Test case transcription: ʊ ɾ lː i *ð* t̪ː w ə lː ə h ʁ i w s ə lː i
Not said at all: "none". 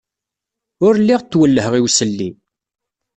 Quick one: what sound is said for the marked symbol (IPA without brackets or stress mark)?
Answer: ʁ